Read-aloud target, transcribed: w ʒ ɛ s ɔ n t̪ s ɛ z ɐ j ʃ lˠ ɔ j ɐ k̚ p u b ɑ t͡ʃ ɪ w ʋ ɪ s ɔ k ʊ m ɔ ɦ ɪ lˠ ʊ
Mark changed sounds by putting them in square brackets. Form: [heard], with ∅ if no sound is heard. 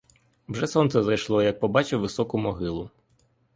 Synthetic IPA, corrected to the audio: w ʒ ɛ s ɔ n t̪ s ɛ z ɐ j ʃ lˠ ɔ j ɐ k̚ p [ɔ] b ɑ t͡ʃ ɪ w ʋ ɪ s ɔ k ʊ m ɔ ɦ ɪ lˠ ʊ